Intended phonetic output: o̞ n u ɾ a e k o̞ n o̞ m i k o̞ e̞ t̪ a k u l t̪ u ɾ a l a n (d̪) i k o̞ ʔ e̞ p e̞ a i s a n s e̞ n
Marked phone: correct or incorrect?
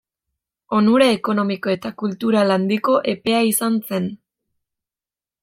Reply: correct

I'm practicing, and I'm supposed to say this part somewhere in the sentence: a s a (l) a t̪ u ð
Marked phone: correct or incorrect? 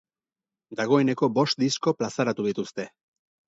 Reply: incorrect: ɾ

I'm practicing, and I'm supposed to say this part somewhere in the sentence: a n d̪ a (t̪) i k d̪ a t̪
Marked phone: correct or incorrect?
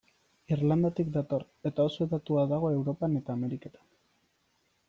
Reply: correct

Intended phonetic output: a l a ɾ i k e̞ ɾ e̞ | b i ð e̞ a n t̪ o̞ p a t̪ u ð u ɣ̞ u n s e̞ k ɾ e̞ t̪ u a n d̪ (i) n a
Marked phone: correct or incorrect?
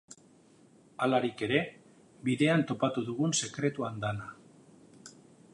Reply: incorrect: a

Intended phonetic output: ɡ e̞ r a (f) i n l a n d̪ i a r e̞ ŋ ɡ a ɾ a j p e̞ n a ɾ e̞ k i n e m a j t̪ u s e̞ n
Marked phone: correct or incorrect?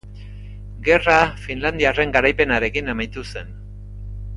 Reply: correct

